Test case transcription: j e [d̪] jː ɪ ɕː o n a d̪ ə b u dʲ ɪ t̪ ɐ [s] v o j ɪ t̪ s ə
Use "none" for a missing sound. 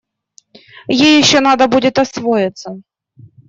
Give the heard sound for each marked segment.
none, s

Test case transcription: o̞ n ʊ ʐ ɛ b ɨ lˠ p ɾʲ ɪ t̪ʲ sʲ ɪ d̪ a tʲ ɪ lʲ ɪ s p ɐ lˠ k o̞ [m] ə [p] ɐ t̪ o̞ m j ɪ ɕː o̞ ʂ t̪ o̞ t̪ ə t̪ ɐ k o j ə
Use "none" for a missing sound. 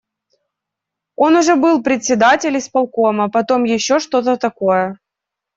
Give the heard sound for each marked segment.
m, p

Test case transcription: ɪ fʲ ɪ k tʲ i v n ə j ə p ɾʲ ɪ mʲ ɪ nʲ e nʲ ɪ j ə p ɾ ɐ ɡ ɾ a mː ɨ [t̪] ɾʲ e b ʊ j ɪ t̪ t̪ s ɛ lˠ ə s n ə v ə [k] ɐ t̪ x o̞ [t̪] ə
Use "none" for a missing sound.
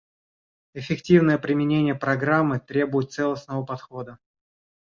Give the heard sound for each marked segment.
t̪, p, d̪

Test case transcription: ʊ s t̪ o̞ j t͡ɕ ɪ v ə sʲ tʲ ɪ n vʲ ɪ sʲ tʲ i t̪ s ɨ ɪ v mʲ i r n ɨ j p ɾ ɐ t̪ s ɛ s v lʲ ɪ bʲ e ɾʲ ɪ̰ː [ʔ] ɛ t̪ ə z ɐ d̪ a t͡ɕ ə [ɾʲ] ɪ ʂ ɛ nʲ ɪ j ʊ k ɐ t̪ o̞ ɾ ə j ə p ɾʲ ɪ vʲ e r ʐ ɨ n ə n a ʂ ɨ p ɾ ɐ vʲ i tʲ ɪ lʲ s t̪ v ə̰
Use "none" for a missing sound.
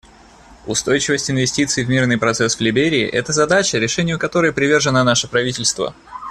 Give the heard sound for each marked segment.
ʔ, ɾʲ

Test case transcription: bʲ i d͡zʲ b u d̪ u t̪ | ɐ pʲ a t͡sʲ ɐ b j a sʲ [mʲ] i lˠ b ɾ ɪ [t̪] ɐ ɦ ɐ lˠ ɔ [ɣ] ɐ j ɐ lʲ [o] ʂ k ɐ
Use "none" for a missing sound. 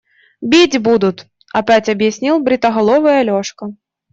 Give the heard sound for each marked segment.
nʲ, t̪, v, ɔ

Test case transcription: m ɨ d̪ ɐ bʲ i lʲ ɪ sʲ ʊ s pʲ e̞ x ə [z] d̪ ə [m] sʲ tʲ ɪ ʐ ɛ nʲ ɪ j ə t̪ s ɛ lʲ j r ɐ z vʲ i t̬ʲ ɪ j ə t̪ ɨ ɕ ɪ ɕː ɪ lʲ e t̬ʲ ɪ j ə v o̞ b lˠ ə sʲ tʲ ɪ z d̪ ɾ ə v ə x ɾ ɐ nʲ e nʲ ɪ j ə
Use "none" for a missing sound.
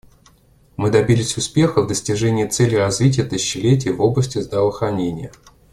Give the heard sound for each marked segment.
v, none

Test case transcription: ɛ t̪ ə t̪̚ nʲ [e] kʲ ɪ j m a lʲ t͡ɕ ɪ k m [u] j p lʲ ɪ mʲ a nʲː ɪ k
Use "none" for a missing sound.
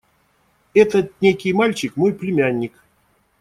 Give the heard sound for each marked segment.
e, o

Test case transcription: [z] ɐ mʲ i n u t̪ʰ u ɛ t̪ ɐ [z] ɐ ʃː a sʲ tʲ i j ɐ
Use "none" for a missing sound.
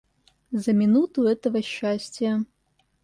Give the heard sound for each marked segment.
z, v

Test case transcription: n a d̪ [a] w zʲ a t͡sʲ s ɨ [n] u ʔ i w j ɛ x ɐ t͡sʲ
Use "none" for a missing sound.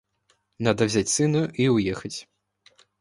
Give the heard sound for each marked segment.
ɐ, n

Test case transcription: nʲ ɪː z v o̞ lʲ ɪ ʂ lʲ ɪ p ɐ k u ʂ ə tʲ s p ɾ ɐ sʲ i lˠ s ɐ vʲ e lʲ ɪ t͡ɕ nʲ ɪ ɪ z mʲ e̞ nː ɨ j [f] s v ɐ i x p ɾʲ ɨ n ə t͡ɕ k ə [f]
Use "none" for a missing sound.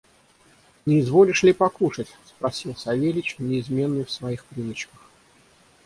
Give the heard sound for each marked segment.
f, x

